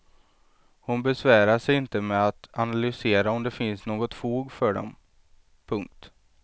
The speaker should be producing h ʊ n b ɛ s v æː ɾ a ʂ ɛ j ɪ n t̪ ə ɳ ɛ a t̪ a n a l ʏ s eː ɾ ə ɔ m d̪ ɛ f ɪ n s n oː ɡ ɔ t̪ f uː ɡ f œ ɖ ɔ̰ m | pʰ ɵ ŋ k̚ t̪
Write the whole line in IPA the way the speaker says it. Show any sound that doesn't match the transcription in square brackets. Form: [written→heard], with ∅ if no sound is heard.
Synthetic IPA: h ʊ n b ɛ s v æː ɾ a ʂ ɛ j ɪ n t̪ ə [ɳ→m] ɛ a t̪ a n a l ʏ s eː ɾ [ə→a] ɔ m d̪ ɛ f ɪ n s n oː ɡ ɔ t̪ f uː ɡ f œ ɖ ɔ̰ m | pʰ ɵ ŋ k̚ t̪